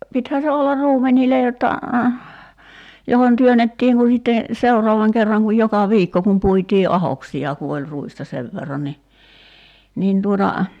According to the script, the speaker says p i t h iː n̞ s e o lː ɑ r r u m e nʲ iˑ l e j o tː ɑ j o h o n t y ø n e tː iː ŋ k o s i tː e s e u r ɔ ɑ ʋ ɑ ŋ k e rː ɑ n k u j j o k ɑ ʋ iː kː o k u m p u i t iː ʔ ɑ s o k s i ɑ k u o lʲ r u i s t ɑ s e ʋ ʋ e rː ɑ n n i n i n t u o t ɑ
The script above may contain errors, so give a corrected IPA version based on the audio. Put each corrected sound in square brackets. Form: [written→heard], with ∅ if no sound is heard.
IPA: p i t h [iː→æː] n̞ s e o lː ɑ r r [u→uː] m e nʲ iˑ l e j o tː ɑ j o h o n t y ø n e tː iː ŋ k [o→u] s i tː e s e u r ɔ ɑ ʋ ɑ ŋ k e rː ɑ [n→ŋ] k u j j o k ɑ ʋ iː kː o k u m p u i t iː ʔ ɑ [s→h] o k s i ɑ k u o lʲ r u i s t ɑ s e ʋ ʋ e rː ɑ n n i n i n t u o t ɑ